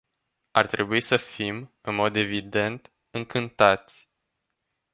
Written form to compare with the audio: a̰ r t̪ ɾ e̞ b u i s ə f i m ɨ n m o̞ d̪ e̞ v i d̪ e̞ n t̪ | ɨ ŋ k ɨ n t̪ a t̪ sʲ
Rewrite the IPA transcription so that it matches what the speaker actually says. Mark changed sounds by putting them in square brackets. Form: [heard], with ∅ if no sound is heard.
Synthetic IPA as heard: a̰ r t̪ ɾ e̞ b u i s ə f i m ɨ n m o̞ d̪ e̞ v i d̪ e̞ n t̪ | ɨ ŋ k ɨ n t̪ a t̪ sʲ